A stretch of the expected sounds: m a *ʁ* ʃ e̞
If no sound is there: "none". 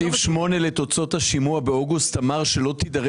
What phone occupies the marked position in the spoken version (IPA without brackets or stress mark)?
ʁ